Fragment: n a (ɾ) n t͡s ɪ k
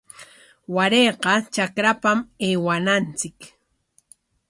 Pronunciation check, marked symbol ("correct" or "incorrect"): incorrect